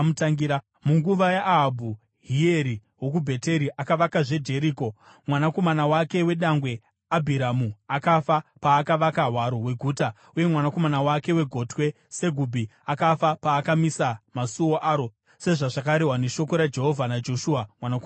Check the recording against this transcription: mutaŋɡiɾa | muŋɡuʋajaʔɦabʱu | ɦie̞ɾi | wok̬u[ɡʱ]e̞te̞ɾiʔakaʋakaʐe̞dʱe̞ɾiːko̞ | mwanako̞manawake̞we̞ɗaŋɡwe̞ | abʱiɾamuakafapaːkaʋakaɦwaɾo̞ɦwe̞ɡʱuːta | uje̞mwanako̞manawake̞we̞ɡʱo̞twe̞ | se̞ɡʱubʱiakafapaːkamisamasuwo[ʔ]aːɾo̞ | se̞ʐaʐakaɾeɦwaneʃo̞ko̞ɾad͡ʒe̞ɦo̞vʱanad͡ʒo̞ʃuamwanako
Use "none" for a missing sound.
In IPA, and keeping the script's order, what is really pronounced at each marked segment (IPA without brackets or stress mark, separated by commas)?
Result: bʱ, ʔ